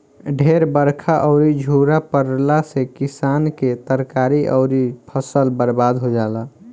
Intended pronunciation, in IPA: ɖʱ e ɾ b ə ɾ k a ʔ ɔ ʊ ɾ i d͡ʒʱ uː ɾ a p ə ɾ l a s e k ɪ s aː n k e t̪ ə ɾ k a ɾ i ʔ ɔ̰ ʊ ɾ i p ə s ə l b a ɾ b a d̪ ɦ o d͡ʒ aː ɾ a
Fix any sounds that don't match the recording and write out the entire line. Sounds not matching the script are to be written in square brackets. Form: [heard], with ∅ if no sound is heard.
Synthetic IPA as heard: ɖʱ e ɾ b ə ɾ [kʰ] a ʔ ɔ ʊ ɾ i d͡ʒʱ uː ɾ a p ə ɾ l a s e k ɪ s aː n k e t̪ ə ɾ k a ɾ i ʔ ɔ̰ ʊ ɾ i [pʰ] ə s ə l b [ə] ɾ b a d̪ ɦ o d͡ʒ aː [l] a